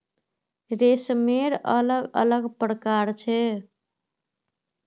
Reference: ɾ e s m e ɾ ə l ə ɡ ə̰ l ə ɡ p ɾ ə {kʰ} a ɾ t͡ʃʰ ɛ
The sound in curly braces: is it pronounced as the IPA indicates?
no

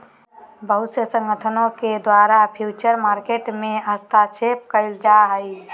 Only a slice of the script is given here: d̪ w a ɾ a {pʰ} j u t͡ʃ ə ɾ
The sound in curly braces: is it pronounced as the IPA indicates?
yes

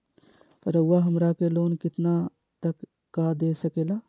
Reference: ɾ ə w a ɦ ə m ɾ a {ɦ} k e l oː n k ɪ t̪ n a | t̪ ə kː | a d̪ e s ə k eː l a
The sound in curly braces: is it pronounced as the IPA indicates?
no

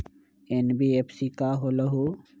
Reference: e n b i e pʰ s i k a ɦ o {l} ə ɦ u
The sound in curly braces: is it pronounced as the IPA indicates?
yes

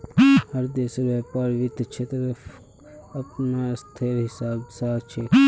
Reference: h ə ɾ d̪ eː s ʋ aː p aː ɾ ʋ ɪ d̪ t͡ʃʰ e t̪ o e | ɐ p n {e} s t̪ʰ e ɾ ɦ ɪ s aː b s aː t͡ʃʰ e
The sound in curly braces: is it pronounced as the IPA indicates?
no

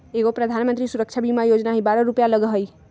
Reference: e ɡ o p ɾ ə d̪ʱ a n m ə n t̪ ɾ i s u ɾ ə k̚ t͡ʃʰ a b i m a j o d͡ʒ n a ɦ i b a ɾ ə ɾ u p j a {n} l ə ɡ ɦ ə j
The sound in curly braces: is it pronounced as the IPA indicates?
no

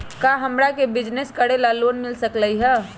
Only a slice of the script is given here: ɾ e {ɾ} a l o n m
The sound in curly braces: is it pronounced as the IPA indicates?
no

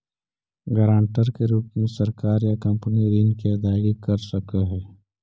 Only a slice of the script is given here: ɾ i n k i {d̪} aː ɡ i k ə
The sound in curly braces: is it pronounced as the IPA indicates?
yes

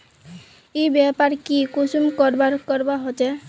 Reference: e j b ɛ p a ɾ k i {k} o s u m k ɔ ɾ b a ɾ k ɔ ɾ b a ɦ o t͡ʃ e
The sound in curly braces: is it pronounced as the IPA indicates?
yes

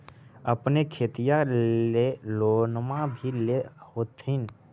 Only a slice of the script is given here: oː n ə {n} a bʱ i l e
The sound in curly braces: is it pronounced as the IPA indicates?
no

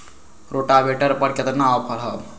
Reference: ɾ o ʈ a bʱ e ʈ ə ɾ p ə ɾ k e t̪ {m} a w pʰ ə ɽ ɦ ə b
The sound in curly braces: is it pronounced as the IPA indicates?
no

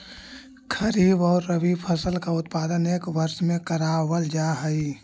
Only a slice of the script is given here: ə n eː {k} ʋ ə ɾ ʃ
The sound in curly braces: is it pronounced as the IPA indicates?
yes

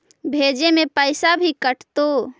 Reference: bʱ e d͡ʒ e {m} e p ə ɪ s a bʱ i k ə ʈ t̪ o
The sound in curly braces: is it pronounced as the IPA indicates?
yes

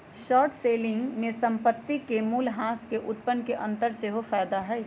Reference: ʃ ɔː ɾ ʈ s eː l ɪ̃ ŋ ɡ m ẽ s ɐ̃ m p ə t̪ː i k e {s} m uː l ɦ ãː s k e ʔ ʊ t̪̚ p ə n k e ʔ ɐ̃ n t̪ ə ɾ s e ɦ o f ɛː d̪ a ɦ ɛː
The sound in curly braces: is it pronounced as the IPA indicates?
no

